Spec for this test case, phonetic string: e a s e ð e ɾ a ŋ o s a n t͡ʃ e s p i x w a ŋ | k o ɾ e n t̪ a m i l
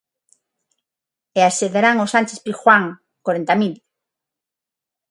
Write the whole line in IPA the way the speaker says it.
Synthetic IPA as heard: e a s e ð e ɾ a ŋ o s a n t͡ʃ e s p i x w a ŋ | k o ɾ e n t̪ a m i l